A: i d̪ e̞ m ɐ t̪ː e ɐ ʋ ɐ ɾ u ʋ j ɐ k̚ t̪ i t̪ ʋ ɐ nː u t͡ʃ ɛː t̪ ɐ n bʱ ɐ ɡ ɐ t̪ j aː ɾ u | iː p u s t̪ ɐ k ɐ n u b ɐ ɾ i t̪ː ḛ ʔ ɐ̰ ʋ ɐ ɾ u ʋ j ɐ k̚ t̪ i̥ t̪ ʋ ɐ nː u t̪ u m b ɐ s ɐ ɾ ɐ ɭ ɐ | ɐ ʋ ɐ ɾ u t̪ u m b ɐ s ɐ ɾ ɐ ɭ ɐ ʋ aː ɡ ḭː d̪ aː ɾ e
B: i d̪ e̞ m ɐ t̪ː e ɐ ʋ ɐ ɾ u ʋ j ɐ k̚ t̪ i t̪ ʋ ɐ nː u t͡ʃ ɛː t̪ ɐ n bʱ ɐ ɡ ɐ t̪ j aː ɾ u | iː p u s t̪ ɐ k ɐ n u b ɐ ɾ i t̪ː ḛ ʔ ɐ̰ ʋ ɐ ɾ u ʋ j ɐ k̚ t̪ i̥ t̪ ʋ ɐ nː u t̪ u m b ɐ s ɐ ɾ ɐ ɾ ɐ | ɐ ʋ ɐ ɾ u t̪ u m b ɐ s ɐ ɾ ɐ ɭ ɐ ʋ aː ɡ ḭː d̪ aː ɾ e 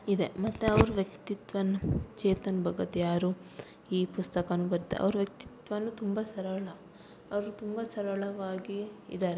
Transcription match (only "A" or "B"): A